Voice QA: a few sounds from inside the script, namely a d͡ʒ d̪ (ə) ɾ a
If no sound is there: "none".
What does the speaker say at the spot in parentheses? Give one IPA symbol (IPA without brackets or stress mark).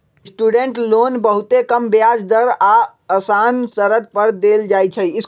ə